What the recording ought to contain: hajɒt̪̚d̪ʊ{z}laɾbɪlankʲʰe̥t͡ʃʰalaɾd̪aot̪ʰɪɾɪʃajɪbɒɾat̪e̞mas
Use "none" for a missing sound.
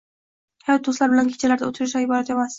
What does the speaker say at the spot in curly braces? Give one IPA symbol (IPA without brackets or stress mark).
s